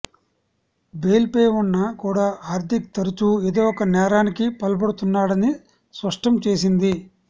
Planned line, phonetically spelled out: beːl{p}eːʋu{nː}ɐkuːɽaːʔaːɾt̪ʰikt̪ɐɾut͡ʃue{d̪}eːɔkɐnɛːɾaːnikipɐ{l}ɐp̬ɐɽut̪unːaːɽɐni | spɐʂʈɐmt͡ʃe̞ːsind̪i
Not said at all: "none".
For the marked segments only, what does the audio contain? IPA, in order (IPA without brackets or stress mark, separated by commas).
p, nː, d̪, l